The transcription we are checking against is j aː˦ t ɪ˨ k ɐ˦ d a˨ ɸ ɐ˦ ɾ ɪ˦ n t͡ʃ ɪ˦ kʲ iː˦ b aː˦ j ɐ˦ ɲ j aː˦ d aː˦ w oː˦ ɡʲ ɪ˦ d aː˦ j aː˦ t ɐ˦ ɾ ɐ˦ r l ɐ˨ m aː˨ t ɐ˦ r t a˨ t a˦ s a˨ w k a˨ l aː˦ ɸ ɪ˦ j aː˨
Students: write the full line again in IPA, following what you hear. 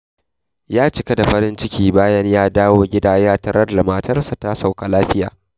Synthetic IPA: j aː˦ t͡ʃ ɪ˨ k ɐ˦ d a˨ ɸ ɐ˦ ɾ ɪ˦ n t͡ʃ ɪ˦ kʲ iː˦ b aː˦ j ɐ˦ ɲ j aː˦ d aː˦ w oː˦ ɡʲ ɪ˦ d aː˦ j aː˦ t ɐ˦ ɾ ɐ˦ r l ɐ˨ m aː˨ t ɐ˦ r s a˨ t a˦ s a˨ w k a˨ l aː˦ ɸ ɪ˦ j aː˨